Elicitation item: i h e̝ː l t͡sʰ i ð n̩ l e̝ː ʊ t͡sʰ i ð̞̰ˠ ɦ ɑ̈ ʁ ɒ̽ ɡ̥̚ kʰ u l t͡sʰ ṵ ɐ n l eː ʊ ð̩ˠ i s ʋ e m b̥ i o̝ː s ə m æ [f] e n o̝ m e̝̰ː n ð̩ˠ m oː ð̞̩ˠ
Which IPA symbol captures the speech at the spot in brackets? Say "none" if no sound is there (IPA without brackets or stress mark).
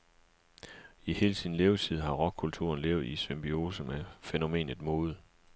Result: f